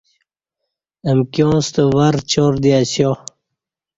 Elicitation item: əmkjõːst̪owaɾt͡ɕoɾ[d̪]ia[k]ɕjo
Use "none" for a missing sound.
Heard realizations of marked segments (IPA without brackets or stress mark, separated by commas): d̪, none